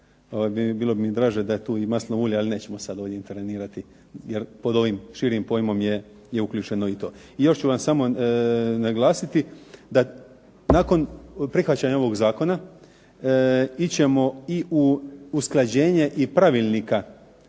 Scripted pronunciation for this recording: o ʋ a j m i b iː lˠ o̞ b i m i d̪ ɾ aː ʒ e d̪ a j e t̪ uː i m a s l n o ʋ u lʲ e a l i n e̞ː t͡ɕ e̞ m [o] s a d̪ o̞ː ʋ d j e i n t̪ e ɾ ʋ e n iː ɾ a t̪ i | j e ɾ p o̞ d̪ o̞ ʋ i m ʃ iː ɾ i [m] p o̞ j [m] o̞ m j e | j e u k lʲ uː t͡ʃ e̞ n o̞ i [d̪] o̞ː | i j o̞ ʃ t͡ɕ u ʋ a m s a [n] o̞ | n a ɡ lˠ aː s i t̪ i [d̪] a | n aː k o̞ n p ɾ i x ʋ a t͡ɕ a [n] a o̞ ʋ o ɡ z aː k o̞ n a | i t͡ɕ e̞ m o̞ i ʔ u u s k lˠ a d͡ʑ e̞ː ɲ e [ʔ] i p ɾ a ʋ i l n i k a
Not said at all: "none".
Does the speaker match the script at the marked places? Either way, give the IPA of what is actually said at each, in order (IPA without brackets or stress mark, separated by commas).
o, m, m, t̪, m, d̪, ɲ, ʔ